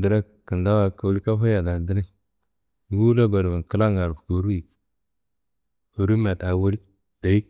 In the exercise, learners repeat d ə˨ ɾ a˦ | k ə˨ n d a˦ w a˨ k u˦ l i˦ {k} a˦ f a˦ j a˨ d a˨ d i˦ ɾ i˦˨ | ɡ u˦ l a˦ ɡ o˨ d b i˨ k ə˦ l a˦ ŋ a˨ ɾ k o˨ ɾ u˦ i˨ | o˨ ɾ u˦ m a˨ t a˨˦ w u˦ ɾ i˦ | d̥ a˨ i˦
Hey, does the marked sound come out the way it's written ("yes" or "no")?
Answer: yes